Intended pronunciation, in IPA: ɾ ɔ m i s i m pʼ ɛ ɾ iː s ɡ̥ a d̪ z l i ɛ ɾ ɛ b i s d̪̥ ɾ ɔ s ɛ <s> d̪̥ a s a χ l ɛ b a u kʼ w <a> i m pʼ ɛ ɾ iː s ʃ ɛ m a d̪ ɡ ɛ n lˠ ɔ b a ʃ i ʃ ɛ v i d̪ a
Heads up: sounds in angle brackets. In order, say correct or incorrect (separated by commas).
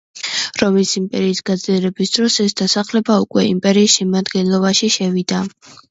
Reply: correct, incorrect